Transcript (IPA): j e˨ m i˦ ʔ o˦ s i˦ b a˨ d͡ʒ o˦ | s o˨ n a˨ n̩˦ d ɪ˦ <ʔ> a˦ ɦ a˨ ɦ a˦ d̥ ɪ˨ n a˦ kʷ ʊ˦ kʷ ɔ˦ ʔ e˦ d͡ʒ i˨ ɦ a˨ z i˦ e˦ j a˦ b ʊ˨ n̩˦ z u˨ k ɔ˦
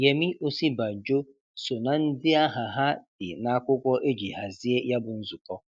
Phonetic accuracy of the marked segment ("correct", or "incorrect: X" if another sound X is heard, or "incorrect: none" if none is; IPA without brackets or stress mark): incorrect: none